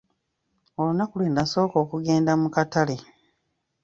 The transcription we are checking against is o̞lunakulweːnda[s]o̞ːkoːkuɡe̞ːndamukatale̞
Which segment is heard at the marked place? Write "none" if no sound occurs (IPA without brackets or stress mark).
s